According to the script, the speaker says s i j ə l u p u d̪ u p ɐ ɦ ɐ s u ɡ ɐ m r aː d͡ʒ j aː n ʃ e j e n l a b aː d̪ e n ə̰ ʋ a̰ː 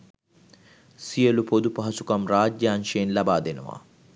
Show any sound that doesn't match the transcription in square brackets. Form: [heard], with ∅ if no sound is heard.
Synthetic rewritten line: s i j ə l u p [o] d̪ u p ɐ ɦ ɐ s u [k] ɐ m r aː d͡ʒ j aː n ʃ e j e n l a b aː d̪ e n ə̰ ʋ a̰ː